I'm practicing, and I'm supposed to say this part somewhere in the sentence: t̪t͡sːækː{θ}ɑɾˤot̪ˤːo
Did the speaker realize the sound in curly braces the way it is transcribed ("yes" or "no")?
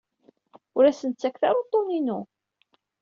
yes